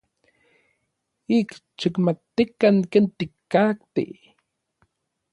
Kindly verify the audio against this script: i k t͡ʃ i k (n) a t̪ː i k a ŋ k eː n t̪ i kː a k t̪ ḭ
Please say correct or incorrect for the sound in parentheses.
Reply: incorrect